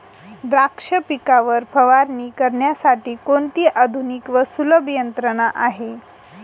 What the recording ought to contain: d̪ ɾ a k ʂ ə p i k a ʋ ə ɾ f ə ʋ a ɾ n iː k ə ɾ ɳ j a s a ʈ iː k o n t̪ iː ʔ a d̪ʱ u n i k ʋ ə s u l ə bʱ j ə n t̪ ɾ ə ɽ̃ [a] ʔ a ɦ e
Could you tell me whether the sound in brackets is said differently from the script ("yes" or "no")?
no